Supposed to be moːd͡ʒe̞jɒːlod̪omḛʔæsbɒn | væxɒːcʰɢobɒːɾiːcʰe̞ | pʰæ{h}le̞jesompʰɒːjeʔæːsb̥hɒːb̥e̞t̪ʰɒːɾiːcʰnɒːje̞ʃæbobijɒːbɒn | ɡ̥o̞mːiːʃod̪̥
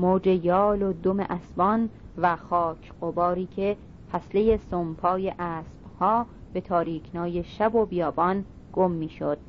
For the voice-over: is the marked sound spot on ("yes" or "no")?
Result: no